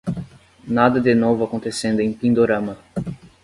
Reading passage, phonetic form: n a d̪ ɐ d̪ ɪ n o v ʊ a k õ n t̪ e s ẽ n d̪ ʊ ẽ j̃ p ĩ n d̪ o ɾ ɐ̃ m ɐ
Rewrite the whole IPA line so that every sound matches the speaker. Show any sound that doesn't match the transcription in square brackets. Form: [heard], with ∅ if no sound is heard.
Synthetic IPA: n a d̪ ɐ d̪ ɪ n o v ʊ a k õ n t̪ e s ẽ n d̪ ʊ ẽ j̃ p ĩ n d̪ o ɾ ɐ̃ m ɐ